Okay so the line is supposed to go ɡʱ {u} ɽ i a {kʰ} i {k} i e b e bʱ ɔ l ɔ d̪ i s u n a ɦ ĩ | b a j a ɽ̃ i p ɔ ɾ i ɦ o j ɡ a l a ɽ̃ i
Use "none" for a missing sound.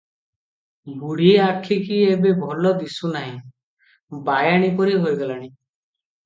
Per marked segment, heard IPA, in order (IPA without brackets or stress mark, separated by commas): u, kʰ, k